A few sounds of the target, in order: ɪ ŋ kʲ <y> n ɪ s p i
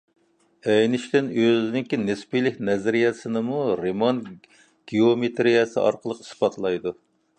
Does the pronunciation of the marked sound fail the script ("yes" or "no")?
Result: yes